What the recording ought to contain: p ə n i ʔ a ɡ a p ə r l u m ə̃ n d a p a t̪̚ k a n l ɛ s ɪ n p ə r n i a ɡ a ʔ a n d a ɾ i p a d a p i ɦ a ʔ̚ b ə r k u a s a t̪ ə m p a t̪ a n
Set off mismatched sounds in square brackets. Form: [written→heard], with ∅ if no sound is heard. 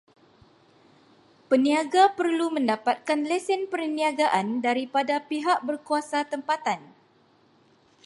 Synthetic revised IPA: p ə n i [ʔ→∅] a ɡ a p ə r l u m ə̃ n d a p a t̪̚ k a n l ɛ s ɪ n p ə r n i a ɡ a ʔ a n d a ɾ i p a d a p i ɦ a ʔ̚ b ə r k u a s a t̪ ə m p a t̪ a n